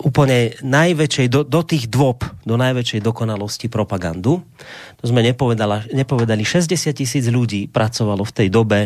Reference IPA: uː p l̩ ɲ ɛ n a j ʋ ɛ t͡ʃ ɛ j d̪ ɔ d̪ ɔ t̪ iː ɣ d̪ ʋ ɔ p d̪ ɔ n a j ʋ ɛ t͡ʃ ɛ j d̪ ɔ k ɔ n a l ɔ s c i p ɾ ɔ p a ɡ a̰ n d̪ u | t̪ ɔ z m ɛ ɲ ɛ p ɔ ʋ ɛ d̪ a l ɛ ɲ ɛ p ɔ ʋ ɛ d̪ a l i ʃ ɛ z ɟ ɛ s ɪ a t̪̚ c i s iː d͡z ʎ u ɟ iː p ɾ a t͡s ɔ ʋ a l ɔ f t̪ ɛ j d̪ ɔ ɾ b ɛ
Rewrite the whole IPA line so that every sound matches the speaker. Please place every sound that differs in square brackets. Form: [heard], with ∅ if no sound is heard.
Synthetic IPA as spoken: uː p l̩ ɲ ɛ n a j ʋ ɛ t͡ʃ ɛ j d̪ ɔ d̪ ɔ t̪ iː ɣ d̪ ʋ ɔ p d̪ ɔ n a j ʋ ɛ t͡ʃ ɛ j d̪ ɔ k ɔ n a l ɔ s c i p ɾ ɔ p a ɡ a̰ n d̪ u | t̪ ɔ z m ɛ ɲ ɛ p ɔ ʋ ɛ d̪ a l [a] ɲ ɛ p ɔ ʋ ɛ d̪ a l i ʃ ɛ z ɟ ɛ s ɪ a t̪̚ c i s iː d͡z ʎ u ɟ iː p ɾ a t͡s ɔ ʋ a l ɔ f t̪ ɛ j d̪ ɔ [∅] b ɛ